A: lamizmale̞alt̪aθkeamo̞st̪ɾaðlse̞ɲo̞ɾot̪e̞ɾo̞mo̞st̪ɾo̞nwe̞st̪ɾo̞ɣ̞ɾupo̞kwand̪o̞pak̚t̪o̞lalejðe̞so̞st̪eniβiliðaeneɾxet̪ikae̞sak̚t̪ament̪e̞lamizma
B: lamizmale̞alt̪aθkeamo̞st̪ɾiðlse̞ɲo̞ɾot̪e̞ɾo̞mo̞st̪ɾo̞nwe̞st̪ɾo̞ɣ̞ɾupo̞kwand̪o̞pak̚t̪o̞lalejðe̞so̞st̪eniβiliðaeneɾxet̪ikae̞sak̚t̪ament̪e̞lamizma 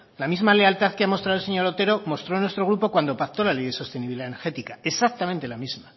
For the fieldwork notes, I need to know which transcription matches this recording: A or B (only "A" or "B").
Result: A